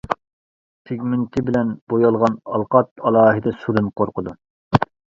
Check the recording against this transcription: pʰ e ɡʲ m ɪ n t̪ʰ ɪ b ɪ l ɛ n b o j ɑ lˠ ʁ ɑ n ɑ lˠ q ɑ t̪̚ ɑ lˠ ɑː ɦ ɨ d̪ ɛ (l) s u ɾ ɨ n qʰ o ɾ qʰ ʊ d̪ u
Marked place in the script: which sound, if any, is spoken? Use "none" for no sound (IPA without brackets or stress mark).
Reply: none